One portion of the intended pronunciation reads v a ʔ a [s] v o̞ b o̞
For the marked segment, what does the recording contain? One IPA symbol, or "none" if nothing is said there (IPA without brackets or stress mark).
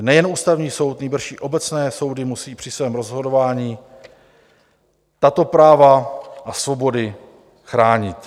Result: s